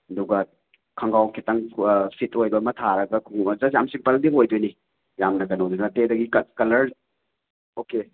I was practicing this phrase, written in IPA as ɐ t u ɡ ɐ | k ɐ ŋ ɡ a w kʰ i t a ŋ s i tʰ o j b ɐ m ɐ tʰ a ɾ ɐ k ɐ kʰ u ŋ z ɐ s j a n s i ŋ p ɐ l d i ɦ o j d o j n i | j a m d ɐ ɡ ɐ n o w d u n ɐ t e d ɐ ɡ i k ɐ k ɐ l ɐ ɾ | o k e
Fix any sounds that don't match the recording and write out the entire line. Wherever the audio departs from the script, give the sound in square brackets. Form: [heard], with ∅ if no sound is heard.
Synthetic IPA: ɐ [d] u ɡ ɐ | [kʰ] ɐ ŋ ɡ a w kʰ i t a ŋ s i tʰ o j b ɐ m ɐ tʰ a ɾ ɐ [ɡ] ɐ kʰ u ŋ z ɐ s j a [m] s i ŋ p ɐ l d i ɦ o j d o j n i | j a m [n] ɐ ɡ ɐ n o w d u n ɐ t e d ɐ ɡ i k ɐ k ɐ l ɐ ɾ | o k e